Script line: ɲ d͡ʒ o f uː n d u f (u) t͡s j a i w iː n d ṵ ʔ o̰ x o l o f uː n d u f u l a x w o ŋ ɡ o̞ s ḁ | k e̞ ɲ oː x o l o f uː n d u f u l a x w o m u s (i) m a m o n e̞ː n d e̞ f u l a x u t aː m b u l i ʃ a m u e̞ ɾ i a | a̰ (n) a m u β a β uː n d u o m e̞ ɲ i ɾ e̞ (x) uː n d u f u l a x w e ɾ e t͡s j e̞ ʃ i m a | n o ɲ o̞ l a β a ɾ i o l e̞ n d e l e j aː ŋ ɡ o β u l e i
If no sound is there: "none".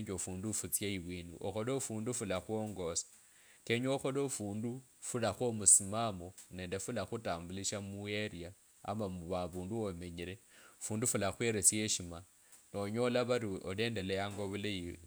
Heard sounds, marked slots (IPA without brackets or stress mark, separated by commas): u, i, m, f